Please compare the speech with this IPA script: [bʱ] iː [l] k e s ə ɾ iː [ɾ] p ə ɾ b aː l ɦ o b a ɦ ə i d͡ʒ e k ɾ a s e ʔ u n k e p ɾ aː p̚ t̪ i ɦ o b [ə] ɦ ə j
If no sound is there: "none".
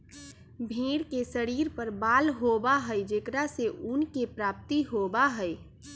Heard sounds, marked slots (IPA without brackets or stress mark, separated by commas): bʱ, ɽ, ɾ, a